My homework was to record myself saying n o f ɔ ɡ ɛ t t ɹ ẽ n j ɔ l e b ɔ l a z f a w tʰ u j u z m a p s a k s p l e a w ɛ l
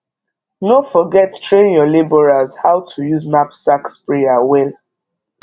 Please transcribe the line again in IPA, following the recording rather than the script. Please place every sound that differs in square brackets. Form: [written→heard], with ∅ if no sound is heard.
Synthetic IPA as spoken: n o f ɔ ɡ ɛ t t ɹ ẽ n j ɔ l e b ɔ [l→ɹ] a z [f→h] a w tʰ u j u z [m→n] a p s a k s p [l→ɹ] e a w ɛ l